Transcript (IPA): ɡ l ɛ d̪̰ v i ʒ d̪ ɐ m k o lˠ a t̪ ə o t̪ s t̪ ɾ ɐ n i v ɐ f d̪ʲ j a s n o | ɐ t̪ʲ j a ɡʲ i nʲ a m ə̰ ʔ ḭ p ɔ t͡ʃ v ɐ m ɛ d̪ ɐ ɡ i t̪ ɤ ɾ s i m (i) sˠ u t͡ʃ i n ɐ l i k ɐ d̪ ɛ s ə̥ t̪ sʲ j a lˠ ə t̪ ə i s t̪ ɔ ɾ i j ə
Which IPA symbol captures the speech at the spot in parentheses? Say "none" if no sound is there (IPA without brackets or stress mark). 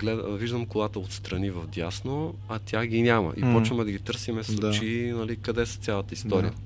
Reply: ɛ